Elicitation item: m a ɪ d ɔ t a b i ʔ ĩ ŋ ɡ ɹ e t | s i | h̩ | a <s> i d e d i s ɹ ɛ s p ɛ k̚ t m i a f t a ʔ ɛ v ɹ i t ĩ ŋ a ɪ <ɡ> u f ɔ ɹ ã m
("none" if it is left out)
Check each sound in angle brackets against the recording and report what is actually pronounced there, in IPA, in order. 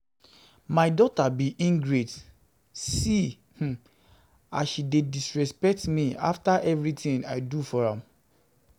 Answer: ʃ, d

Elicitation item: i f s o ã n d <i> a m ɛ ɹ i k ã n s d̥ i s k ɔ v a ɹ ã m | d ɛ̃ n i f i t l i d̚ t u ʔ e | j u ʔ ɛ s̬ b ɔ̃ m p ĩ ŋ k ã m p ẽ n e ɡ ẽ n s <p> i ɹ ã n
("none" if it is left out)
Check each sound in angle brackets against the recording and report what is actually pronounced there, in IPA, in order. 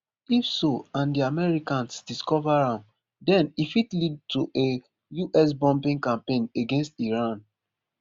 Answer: i, t

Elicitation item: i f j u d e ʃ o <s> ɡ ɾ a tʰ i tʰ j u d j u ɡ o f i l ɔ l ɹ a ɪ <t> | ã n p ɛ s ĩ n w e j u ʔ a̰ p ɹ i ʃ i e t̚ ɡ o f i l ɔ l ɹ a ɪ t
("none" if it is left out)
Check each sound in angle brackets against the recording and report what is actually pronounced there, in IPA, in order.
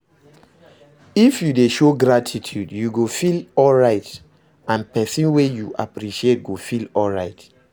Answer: none, t

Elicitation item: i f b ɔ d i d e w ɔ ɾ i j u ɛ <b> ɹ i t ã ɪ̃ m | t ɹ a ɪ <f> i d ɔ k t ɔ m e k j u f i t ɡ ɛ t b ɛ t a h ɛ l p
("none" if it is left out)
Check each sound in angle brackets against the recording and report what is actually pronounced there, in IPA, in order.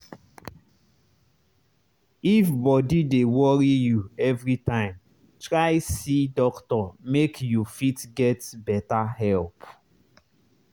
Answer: v, s

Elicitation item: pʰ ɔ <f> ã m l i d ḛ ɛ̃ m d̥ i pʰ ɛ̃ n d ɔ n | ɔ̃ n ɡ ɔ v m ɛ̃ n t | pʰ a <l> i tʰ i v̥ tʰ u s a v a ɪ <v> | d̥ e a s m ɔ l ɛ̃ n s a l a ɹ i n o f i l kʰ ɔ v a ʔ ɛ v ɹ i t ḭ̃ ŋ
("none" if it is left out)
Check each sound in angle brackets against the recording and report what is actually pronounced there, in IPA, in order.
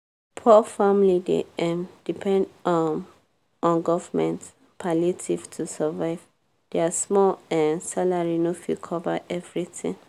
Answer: f, l, v

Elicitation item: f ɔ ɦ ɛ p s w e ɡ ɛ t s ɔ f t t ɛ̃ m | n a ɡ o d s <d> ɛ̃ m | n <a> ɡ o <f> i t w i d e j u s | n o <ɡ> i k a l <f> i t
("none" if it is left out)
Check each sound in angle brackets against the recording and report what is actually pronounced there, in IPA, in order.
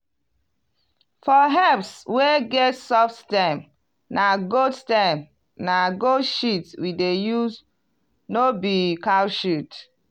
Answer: t, a, ʃ, b, ʃ

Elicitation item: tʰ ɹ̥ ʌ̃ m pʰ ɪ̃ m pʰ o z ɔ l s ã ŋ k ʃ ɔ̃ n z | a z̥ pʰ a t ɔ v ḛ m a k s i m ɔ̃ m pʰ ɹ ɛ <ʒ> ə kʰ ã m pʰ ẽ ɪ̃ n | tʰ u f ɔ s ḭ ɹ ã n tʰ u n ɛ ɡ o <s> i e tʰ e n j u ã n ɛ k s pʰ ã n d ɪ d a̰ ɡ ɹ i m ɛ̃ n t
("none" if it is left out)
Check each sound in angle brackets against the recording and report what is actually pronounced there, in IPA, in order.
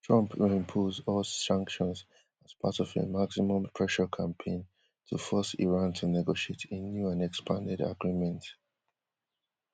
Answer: ʃ, ʃ

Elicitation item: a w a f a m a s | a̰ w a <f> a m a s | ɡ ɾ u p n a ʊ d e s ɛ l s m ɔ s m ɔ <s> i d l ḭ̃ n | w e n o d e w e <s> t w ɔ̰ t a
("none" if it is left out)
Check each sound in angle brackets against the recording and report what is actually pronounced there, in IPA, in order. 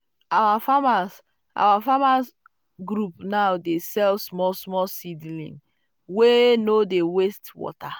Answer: f, s, s

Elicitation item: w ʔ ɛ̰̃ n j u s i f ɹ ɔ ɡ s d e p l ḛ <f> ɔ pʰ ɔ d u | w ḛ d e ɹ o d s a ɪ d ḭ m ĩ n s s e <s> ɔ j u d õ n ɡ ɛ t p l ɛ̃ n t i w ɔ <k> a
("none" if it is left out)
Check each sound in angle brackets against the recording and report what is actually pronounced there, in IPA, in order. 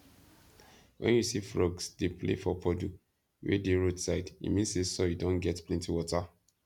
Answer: f, s, t

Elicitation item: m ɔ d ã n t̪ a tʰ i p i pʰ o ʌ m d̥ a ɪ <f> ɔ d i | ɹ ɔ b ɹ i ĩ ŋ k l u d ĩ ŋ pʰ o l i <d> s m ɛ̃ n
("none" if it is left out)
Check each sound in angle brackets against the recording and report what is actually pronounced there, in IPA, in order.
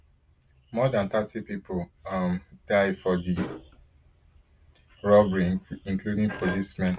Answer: f, none

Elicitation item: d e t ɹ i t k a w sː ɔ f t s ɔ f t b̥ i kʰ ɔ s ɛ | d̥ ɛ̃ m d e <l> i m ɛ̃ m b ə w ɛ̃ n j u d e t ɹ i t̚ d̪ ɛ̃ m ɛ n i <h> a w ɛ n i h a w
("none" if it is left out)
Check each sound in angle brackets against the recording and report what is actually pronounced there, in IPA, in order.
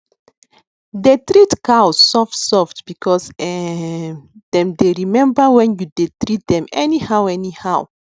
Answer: ɹ, h

